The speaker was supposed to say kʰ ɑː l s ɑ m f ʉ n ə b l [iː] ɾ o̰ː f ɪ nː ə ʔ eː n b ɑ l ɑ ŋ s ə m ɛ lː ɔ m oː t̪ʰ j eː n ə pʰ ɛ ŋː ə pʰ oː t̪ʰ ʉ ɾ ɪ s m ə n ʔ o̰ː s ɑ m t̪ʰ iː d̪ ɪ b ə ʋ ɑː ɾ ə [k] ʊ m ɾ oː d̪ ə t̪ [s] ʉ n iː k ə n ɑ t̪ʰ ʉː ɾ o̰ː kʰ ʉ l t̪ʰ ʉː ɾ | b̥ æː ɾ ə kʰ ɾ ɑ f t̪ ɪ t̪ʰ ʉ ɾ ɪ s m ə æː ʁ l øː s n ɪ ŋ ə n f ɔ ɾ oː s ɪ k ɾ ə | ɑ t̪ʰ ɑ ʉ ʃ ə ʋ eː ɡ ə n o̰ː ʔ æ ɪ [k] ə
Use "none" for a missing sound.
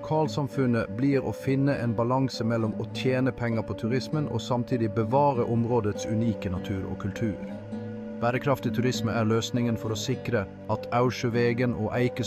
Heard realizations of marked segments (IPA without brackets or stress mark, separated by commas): iː, ʔ, s, k